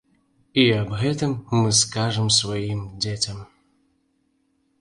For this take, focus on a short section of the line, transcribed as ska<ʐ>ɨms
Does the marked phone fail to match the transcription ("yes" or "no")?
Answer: no